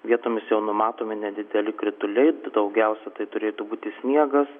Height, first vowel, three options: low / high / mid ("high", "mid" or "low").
high